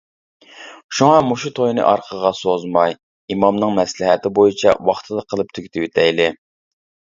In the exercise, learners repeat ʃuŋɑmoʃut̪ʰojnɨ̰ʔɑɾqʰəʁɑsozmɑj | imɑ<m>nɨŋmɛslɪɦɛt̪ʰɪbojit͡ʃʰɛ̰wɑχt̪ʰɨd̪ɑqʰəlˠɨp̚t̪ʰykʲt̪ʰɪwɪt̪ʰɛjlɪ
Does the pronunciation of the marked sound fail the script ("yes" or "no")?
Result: no